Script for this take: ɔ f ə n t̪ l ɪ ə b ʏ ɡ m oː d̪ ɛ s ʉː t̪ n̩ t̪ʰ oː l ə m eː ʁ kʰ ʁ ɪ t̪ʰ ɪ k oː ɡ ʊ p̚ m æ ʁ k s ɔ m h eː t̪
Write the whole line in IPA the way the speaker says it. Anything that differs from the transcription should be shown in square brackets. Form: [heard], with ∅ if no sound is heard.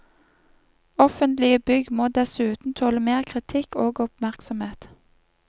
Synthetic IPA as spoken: ɔ f ə n t̪ l ɪ ə b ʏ ɡ m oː d̪ ɛ s ʉː t̪ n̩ t̪ʰ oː l ə m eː ʁ kʰ ʁ ɪ t̪ʰ ɪ k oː ɡ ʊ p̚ m æ ʁ k s ɔ m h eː t̪